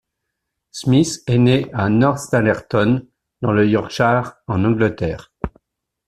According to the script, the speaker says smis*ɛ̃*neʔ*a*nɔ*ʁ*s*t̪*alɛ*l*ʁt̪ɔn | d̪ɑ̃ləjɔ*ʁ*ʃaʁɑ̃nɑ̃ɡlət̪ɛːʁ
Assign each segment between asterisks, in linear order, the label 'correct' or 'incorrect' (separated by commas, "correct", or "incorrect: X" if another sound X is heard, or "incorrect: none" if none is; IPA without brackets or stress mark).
incorrect: ɛ, correct, correct, correct, incorrect: none, correct